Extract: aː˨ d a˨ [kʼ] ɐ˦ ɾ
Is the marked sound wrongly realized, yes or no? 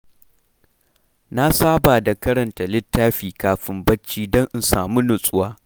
yes